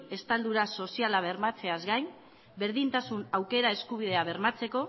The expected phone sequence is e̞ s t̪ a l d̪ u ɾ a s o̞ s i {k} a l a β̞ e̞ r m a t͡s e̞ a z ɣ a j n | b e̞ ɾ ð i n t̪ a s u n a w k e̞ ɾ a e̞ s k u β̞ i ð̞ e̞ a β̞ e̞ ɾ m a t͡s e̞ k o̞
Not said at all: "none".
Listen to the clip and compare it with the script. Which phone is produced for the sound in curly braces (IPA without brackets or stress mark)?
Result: none